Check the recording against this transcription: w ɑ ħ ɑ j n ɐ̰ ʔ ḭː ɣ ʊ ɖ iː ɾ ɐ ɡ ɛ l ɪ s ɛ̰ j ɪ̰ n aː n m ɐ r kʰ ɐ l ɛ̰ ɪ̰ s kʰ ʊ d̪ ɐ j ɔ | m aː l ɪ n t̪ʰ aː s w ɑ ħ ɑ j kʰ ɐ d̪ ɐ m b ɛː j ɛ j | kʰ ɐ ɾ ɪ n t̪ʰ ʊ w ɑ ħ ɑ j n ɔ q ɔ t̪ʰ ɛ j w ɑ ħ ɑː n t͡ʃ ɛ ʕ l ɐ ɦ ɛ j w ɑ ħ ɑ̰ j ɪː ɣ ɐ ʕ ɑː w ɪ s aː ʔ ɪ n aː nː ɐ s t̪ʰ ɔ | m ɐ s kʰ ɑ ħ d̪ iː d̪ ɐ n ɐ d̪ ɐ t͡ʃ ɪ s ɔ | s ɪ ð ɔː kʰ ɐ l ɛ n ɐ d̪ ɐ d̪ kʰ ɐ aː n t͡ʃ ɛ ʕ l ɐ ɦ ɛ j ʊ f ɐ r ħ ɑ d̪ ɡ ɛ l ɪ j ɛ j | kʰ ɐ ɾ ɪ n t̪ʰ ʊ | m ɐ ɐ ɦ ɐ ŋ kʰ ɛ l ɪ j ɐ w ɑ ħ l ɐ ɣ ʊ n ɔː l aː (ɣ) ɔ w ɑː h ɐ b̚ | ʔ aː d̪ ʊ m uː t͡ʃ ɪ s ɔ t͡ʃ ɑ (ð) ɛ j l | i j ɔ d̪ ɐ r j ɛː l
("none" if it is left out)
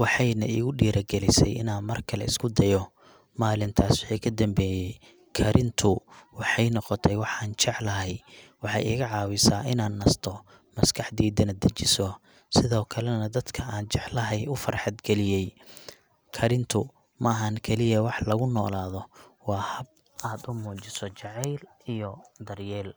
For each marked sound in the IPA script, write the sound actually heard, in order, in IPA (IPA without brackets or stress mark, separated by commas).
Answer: ð, ʕ